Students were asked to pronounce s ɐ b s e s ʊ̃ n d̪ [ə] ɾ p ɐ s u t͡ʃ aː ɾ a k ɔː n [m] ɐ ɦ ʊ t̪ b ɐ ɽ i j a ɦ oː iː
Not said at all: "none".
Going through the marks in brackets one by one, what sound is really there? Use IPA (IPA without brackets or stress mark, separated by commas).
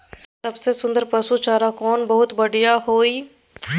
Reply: ə, b